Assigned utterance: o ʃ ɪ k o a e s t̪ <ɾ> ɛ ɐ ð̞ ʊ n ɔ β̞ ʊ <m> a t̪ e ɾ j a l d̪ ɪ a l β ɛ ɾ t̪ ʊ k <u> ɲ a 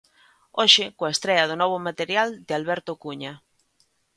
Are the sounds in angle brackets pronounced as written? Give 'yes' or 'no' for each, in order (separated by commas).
yes, yes, yes